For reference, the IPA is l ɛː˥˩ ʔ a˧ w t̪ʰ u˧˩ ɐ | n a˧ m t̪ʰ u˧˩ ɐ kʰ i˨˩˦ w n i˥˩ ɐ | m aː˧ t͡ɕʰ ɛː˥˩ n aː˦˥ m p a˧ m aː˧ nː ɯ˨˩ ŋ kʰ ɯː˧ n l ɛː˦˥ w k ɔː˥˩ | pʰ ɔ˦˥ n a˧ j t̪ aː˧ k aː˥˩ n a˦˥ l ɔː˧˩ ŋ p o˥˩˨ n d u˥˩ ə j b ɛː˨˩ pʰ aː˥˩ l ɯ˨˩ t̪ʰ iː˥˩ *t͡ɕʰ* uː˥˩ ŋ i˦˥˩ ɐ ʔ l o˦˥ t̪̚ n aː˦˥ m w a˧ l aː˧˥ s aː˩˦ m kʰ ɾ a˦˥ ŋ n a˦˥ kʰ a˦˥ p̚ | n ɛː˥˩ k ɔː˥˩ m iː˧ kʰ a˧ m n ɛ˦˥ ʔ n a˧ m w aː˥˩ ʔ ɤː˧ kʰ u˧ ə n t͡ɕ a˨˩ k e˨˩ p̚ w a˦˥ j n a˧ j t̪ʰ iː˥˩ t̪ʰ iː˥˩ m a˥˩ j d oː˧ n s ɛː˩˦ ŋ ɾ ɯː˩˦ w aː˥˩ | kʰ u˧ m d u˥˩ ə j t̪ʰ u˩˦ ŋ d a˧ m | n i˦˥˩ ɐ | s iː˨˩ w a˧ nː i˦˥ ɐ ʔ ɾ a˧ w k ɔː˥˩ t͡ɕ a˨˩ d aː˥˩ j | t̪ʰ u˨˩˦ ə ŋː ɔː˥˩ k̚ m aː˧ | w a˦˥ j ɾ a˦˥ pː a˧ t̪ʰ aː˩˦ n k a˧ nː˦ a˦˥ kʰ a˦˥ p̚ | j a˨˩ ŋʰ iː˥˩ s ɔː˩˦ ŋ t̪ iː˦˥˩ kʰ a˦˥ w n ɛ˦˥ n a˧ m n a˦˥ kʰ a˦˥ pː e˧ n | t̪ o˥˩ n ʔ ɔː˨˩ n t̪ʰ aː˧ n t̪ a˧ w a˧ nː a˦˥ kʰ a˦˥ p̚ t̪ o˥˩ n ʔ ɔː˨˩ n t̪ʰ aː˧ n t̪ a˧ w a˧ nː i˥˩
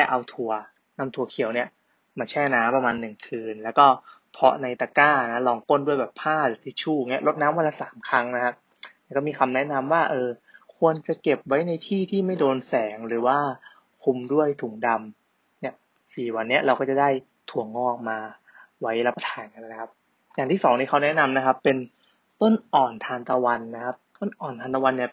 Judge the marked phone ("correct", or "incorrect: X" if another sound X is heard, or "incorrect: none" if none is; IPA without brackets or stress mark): correct